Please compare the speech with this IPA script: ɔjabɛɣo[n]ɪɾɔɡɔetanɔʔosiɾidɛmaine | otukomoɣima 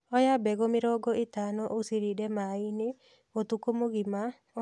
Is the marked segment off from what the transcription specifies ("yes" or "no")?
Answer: yes